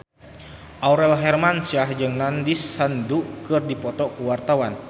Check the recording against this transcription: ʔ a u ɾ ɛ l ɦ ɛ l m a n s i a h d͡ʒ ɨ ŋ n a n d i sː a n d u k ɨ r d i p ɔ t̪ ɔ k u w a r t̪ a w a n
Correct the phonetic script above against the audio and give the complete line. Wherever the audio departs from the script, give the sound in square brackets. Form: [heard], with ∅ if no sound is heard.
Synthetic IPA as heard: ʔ a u ɾ ɛ l ɦ ɛ [r] m a n s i a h d͡ʒ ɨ ŋ n a n d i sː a n d u k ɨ r d i p ɔ t̪ ɔ k u w a r t̪ a w a n